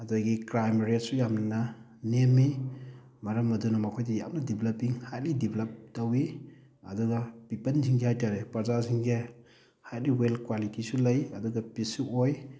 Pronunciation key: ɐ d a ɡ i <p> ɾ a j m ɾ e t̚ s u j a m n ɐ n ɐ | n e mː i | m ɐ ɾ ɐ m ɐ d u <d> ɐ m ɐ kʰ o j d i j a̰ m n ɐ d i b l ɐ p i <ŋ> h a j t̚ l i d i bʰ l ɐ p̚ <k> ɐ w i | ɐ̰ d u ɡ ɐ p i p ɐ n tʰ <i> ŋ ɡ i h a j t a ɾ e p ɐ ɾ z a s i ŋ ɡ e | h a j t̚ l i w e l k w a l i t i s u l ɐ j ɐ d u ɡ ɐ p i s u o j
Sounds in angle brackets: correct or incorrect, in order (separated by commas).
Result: incorrect, incorrect, correct, incorrect, correct